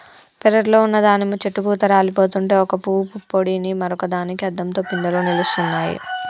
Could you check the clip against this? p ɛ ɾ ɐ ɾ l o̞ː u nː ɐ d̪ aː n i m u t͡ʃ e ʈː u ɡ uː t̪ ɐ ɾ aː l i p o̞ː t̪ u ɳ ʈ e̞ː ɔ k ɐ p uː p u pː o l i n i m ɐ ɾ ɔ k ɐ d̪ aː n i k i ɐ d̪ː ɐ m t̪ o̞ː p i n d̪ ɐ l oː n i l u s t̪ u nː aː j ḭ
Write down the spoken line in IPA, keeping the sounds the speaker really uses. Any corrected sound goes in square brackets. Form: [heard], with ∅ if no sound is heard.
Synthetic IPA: p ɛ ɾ ɐ ɾ l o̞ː u nː ɐ d̪ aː n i m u t͡ʃ e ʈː u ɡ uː t̪ ɐ ɾ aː l i p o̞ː t̪ u ɳ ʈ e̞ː ɔ k ɐ p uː p u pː o [ɽ] i n i m ɐ ɾ ɔ k ɐ d̪ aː n i k i ɐ d̪ː ɐ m t̪ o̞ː p i n d̪ ɐ l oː n i l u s t̪ u nː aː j ḭ